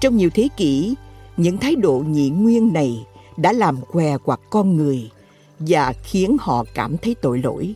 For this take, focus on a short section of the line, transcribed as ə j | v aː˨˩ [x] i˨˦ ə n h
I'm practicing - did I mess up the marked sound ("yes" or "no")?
no